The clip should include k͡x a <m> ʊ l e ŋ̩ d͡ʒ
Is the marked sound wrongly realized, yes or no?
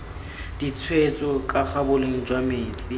yes